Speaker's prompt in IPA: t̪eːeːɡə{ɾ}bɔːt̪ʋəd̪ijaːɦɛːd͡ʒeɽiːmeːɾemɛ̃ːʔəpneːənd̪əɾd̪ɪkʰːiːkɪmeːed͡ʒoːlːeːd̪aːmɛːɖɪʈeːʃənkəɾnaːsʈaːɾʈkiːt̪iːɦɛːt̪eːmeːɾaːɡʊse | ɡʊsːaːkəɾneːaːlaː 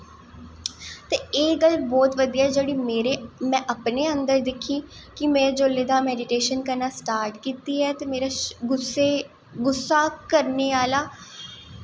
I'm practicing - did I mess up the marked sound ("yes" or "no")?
yes